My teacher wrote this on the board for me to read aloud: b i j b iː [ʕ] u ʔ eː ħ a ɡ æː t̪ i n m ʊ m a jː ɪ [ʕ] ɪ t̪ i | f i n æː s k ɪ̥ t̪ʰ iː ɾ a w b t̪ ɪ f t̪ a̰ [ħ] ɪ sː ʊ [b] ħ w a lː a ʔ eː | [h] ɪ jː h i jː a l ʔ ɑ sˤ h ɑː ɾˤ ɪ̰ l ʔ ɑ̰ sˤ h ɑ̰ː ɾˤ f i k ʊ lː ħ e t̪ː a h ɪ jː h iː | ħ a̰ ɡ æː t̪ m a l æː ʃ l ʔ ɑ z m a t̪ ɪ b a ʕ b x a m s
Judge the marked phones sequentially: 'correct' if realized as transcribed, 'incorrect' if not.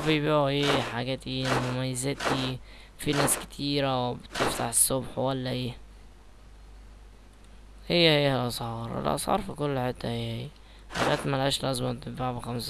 correct, incorrect, correct, correct, correct

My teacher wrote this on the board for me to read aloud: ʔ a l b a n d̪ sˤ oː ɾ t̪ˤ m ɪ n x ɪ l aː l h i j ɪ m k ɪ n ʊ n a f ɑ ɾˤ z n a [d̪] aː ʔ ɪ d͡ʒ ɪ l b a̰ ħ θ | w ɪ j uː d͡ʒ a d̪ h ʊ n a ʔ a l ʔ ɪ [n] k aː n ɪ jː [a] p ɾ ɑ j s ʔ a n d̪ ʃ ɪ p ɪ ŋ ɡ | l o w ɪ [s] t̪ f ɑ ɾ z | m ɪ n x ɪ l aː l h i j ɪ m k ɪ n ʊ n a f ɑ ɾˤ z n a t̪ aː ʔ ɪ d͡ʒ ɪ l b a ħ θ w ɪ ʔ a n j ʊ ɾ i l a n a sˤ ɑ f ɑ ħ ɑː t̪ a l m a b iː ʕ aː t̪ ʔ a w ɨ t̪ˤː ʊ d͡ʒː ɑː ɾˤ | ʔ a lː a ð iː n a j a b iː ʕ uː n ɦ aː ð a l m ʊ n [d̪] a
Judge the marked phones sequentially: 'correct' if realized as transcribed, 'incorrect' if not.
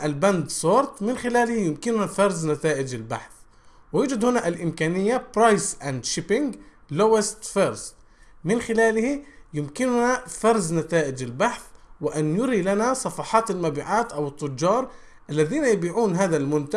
incorrect, incorrect, correct, correct, incorrect

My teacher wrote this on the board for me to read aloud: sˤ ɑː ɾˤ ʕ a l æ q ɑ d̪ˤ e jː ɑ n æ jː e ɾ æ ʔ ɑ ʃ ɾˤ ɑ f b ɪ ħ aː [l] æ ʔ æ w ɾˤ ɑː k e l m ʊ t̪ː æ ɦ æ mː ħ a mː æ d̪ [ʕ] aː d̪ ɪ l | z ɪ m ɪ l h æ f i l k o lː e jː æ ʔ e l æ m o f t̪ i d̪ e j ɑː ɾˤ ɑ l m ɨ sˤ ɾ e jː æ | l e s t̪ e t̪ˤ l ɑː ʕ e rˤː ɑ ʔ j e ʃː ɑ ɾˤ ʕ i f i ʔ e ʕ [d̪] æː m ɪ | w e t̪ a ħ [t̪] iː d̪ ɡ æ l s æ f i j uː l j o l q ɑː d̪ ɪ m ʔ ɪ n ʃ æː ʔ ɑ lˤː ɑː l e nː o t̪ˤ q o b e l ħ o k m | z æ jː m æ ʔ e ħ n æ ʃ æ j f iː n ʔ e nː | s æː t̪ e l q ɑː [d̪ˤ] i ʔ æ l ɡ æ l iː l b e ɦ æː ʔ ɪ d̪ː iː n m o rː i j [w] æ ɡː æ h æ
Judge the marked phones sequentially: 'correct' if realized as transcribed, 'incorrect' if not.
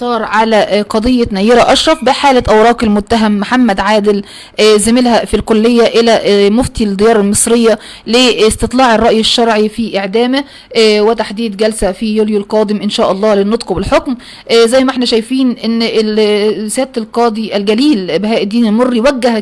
correct, correct, correct, incorrect, correct, correct

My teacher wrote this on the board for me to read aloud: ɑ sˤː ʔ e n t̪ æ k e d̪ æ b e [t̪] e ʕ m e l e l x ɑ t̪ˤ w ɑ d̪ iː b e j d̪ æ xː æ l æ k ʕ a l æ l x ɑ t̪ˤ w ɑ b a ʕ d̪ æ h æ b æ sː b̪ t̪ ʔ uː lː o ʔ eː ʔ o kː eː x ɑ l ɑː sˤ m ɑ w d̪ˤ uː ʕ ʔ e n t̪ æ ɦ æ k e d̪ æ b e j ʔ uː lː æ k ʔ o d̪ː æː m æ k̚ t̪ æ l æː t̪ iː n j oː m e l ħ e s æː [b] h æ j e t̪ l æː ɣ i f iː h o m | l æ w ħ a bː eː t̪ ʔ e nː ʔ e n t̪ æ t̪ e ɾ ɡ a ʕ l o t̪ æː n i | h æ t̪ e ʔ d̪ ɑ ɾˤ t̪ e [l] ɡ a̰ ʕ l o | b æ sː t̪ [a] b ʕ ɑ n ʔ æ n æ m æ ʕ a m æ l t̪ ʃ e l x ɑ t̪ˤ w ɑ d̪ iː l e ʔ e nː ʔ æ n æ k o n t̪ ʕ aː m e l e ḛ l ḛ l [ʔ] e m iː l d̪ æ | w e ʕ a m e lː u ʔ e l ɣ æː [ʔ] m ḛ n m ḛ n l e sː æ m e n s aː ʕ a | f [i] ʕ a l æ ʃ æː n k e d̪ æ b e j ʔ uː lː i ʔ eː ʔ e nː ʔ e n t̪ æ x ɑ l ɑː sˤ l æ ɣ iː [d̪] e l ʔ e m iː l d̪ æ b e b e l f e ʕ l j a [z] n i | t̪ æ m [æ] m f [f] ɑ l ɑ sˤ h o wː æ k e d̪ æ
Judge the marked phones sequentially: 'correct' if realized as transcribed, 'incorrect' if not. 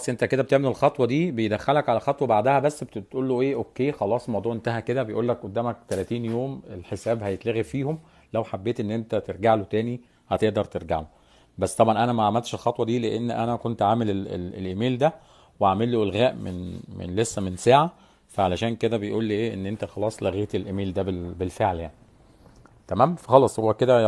correct, correct, incorrect, incorrect, correct, correct, incorrect, incorrect, incorrect, incorrect, incorrect

